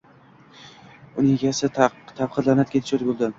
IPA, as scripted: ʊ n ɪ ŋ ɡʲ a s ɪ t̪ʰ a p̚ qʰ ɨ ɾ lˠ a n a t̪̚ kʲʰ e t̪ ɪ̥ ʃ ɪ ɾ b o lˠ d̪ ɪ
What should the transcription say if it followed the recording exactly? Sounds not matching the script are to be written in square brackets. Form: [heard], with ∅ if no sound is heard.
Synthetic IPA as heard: ʊ n ɪ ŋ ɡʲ a s ɪ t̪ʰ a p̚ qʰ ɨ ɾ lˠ a n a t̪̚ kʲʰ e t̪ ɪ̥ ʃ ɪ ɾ b o lˠ d̪ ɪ